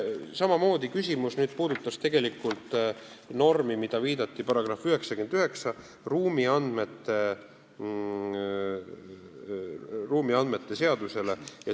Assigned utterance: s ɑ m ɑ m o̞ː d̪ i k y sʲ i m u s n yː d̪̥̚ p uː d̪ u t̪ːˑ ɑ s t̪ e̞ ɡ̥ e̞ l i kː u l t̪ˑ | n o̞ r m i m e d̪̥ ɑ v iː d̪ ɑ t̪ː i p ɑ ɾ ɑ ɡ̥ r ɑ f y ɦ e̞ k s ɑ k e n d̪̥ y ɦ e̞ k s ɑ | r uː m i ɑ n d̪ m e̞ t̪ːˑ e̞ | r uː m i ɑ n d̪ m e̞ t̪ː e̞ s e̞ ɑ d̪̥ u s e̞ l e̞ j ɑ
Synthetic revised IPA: s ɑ m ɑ m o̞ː d̪ i k y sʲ i m u s n yː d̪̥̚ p uː d̪ u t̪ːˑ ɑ s t̪ e̞ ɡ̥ e̞ l i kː u l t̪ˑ | n o̞ r m i m i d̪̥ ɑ v iː d̪ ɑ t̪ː i p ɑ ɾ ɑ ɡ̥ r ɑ f y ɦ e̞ k s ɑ k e n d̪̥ y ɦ e̞ k s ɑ | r uː m i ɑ n d̪ m e̞ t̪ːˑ e̞ | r uː m i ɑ n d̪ m e̞ t̪ː e̞ s e̞ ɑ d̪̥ u s e̞ l e̞ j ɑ

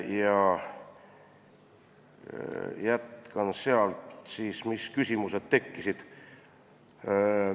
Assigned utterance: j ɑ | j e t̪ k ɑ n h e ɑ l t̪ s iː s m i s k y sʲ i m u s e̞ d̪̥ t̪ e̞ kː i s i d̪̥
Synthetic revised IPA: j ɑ | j æ t̪ k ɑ n s e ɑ l t̪ s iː s m i s k y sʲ i m u s e̞ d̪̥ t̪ e̞ kː i s i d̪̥

